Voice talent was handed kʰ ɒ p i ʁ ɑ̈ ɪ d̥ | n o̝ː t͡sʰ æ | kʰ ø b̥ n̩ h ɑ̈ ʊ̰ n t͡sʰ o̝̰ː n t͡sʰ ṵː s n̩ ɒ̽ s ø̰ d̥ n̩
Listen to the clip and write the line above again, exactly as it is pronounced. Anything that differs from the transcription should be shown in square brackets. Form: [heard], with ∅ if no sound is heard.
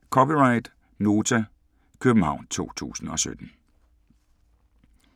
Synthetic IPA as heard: kʰ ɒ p i ʁ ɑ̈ ɪ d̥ | n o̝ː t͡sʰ æ | kʰ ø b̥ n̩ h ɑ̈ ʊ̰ n t͡sʰ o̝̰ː [∅] t͡sʰ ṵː s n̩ ɒ̽ s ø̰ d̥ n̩

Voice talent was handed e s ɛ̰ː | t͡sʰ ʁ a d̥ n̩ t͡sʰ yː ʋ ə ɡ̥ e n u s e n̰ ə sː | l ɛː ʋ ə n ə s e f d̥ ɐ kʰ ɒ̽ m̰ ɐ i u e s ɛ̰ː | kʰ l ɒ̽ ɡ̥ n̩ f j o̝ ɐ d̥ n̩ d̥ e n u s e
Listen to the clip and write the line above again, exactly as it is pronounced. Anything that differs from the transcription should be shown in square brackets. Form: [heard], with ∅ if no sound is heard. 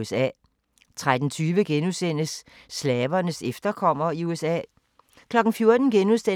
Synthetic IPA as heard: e s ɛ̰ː | t͡sʰ ʁ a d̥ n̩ t͡sʰ yː ʋ ə ɡ̥ e n u s e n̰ ə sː | l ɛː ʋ [ɐ] n ə s e f d̥ ɐ kʰ ɒ̽ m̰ ɐ i u e s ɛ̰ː | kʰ l ɒ̽ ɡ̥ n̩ f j o̝ ɐ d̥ n̩ [ɡ̥] e n u s e

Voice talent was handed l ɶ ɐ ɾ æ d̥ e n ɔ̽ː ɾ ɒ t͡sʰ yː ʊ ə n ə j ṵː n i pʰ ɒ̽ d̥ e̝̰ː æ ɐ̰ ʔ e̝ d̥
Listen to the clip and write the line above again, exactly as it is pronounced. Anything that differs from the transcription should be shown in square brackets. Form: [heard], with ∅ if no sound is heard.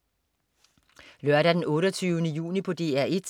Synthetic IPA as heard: l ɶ ɐ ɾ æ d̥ e n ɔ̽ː ɾ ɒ t͡sʰ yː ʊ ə n ə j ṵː n i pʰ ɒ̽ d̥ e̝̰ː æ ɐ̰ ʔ e̝ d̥

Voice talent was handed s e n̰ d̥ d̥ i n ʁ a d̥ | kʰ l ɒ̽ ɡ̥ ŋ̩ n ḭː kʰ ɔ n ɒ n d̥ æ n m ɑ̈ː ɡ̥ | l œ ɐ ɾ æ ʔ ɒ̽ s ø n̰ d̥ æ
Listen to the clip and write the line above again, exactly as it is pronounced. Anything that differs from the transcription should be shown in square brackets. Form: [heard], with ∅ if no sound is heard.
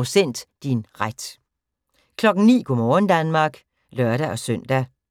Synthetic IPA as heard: s e n̰ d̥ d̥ i n ʁ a d̥ | kʰ l ɒ̽ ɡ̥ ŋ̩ n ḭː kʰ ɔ [m] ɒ n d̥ æ n m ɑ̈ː ɡ̥ | l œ ɐ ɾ æ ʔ ɒ̽ s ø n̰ d̥ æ

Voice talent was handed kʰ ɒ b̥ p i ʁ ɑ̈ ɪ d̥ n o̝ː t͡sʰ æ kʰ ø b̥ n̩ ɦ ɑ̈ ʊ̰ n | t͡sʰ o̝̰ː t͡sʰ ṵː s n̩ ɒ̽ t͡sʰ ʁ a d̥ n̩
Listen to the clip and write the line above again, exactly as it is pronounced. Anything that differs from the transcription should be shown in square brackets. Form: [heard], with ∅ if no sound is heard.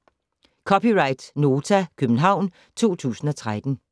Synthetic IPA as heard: kʰ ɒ [∅] p i ʁ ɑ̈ ɪ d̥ n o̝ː t͡sʰ æ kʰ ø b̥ n̩ ɦ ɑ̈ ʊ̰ n | t͡sʰ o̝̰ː t͡sʰ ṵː s n̩ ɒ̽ t͡sʰ ʁ a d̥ n̩

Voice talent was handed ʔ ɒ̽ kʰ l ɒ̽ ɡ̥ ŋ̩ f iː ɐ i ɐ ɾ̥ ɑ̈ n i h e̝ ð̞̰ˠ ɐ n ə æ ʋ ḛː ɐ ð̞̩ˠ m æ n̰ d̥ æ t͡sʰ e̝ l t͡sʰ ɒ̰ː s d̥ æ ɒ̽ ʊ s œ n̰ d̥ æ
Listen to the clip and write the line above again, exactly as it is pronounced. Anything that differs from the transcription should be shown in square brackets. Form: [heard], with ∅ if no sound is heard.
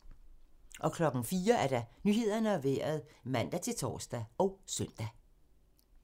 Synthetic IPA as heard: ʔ ɒ̽ kʰ l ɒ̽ ɡ̥ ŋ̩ f iː ɐ [æ] ɐ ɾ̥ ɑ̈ n [y] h e̝ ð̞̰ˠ ɐ n ə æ ʋ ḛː ɐ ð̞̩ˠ m æ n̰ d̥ æ t͡sʰ e̝ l t͡sʰ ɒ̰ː s d̥ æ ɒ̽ ʊ s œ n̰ d̥ æ

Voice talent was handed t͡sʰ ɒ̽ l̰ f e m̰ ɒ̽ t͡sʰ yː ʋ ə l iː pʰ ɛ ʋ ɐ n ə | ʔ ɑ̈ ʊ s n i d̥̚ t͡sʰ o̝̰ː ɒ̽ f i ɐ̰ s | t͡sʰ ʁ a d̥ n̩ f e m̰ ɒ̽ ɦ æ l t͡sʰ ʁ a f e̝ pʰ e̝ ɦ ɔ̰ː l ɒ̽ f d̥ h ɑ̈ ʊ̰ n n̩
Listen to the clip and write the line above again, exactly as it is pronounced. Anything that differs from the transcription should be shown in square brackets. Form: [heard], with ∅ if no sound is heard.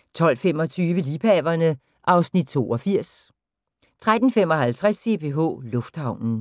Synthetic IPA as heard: t͡sʰ ɒ̽ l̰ f e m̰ ɒ̽ t͡sʰ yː ʋ ə l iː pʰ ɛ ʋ ɐ n ə | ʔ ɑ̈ ʊ s n i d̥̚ t͡sʰ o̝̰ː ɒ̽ f i ɐ̰ s | t͡sʰ ʁ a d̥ n̩ f e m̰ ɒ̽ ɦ æ l t͡sʰ ʁ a [s] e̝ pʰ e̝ ɦ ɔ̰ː l [ɔ̽] f d̥ h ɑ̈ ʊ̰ n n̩

